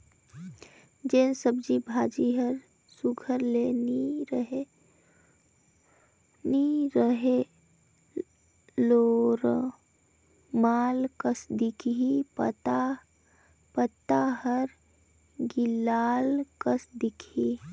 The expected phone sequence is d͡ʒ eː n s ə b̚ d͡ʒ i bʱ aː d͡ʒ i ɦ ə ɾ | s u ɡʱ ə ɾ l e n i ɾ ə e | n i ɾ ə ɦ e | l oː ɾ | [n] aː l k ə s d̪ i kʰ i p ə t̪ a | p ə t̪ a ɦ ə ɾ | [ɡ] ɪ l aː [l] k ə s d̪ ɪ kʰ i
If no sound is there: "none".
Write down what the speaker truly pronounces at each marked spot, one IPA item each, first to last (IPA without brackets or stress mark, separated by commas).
m, ɡ, l